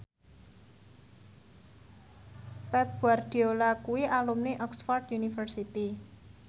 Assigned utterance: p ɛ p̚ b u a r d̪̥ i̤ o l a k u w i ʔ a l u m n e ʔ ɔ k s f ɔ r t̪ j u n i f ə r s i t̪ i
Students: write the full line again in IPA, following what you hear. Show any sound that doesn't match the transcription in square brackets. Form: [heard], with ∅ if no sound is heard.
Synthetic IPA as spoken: p ɛ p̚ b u a r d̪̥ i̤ o l a k u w i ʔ a l u m n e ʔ ɔ k s f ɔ r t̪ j u n i f ə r s i t̪ i